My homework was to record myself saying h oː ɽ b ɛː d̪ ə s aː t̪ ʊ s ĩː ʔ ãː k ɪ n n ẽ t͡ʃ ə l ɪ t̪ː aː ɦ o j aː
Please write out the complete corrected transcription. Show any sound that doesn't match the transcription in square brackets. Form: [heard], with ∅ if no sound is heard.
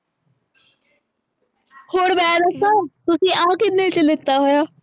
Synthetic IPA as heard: h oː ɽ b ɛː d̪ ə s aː t̪ ʊ s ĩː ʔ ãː k ɪ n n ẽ t͡ʃ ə l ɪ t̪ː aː ɦ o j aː